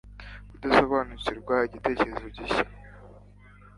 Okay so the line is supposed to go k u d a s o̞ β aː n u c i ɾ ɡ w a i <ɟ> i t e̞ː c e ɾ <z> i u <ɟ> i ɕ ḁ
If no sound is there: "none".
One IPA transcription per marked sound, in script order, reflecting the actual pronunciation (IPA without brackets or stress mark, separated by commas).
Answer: ɟ, z, ɟ